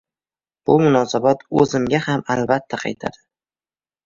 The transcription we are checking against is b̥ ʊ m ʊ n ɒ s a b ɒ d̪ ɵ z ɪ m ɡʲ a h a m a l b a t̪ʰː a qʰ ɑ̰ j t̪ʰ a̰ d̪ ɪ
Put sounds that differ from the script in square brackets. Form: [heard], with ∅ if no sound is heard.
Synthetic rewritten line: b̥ ʊ m ʊ n ɒ s a b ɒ [t̪] ɵ z ɪ m ɡʲ a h a m a l b a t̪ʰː a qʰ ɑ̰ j t̪ʰ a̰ d̪ ɪ